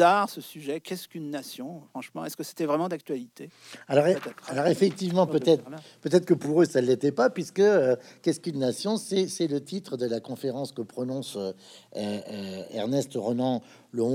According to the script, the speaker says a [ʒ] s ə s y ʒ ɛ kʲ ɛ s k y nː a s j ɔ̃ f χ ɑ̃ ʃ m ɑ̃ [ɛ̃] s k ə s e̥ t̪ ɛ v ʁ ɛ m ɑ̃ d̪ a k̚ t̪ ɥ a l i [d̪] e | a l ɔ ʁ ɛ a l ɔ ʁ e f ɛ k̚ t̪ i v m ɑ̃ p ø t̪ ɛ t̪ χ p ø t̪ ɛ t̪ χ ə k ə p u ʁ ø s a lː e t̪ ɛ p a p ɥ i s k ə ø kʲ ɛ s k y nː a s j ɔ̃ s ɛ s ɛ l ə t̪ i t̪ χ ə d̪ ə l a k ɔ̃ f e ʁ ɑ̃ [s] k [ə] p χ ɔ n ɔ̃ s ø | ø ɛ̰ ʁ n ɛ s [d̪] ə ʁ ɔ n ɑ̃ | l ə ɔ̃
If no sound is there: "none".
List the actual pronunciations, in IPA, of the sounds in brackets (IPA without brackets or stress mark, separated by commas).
ʁ, ɛ, t̪, s, ə, t̪